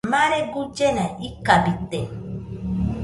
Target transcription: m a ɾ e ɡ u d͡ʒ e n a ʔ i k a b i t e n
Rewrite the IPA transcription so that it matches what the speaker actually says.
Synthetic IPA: m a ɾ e ɡ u d͡ʒ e n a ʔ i k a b i t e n